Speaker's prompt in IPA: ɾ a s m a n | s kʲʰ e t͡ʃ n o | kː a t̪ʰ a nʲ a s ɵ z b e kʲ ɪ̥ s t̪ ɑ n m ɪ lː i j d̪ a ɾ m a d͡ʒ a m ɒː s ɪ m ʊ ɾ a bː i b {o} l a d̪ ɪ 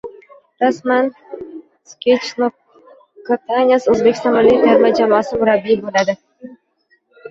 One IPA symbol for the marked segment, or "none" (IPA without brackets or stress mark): o